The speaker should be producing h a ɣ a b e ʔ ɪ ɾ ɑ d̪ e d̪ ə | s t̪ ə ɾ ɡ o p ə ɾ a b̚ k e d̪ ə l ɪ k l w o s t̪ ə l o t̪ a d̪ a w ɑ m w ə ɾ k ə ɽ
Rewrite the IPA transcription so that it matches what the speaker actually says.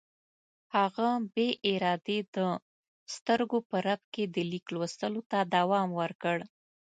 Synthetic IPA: h a ɣ a b e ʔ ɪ ɾ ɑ d̪ e d̪ ə | s t̪ ə ɾ ɡ o p ə ɾ a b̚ k e d̪ ə l i k l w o s t̪ ə l o t̪ a d̪ a w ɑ m w ə ɾ k ə ɽ